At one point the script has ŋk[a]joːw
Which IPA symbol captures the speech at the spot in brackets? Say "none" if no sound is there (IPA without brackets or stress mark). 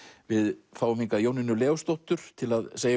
a